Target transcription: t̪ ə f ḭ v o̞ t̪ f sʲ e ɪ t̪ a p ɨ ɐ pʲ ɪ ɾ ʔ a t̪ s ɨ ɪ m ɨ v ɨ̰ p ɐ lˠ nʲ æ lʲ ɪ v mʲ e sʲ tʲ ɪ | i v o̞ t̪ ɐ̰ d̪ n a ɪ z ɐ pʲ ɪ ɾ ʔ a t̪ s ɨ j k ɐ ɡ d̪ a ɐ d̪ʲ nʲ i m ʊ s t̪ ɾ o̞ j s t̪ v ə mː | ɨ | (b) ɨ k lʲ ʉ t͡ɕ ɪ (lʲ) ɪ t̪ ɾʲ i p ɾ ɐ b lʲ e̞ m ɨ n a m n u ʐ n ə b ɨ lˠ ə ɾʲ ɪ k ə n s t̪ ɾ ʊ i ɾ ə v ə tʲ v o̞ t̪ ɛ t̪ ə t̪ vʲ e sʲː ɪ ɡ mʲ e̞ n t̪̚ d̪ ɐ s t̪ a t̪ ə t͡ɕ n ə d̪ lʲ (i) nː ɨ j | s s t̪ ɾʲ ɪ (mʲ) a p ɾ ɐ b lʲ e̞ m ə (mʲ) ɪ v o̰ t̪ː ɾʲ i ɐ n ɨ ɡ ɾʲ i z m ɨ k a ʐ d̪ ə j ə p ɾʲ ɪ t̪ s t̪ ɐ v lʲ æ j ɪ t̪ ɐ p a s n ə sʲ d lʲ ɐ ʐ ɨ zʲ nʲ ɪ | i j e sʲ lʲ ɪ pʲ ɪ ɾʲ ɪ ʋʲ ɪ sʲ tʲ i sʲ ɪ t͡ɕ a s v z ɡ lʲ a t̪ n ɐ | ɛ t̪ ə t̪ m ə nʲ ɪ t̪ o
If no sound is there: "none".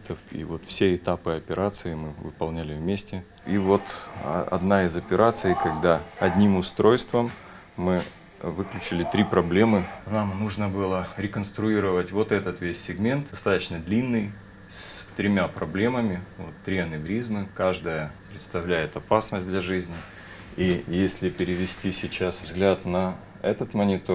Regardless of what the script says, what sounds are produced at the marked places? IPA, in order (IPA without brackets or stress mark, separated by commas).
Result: v, lʲ, i, mʲ, mʲ